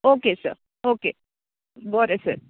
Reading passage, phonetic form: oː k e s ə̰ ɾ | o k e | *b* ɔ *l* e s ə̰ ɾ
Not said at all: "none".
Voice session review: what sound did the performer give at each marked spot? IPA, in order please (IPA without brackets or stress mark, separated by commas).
b, ɾ